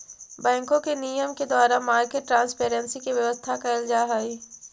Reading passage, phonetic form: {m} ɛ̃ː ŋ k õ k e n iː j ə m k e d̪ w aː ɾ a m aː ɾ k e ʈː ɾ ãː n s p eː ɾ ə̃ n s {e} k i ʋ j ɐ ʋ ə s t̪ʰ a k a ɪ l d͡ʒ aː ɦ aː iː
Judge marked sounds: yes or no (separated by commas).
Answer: no, no